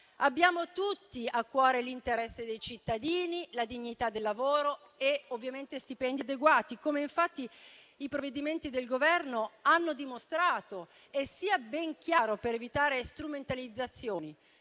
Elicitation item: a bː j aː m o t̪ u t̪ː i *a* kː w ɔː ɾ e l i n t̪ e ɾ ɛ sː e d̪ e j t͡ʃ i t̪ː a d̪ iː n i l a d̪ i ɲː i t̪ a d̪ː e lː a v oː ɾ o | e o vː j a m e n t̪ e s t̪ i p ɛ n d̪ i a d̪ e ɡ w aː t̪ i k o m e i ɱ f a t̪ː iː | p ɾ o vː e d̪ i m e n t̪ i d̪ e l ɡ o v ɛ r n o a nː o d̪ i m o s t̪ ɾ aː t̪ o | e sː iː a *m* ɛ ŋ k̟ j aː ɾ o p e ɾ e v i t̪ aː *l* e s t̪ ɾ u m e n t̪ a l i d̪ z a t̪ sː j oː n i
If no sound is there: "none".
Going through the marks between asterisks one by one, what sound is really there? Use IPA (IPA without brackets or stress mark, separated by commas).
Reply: a, b, ɾ